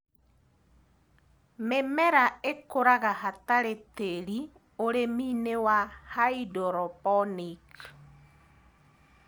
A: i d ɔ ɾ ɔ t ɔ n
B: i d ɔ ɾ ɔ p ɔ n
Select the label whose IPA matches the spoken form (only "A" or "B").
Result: B